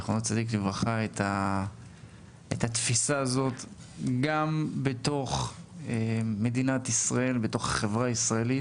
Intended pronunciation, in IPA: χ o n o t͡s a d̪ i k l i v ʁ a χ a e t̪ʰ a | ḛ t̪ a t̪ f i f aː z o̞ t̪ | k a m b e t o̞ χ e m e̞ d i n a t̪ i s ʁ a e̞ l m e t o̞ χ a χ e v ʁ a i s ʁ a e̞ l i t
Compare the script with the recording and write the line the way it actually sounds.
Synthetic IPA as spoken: χ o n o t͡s a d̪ i k l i v ʁ a χ a e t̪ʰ a | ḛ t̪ a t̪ f i s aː z o̞ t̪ | ɡ a m b e t o̞ χ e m e̞ d i n a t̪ i s ʁ a e̞ l b e t o̞ χ a χ e v ʁ a i s ʁ a e̞ l i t